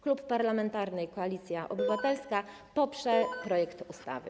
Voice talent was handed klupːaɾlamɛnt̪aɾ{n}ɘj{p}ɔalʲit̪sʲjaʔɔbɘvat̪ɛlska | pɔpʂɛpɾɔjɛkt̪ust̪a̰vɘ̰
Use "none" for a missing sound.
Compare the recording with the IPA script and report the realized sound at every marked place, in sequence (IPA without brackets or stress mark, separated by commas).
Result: n, k